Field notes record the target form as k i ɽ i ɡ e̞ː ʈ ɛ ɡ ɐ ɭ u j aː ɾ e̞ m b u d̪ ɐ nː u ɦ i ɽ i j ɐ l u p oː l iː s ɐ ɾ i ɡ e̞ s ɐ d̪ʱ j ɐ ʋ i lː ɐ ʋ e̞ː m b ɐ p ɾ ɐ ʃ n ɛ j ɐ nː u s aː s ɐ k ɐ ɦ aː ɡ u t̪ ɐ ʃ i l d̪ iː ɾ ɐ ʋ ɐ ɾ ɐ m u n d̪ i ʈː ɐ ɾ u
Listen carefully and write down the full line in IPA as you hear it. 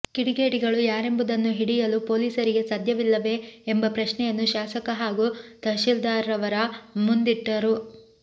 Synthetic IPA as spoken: k i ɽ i ɡ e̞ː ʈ i ɡ ɐ ɭ u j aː ɾ e̞ m b u d̪ ɐ nː u ɦ i ɽ i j ɐ l u p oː l iː s ɐ ɾ i ɡ e̞ s ɐ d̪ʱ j ɐ ʋ i lː ɐ ʋ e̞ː m b ɐ p ɾ ɐ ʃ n ɛ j ɐ nː u ʃ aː s ɐ k ɐ ɦ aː ɡ u t̪ ɐ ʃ i l d̪ aː ɾ ɐ ʋ ɐ ɾ ɐ m u n d̪ i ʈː ɐ ɾ u